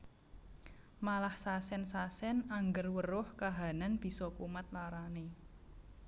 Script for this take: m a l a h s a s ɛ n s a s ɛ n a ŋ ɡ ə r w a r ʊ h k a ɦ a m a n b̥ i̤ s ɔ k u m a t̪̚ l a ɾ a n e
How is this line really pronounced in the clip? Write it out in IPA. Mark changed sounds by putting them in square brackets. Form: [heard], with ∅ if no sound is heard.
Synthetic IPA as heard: m a l a h s a s ɛ n s a s ɛ n a ŋ ɡ ə r w [ə] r ʊ h k a ɦ a [n] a n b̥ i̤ s ɔ k u m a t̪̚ l a ɾ a n e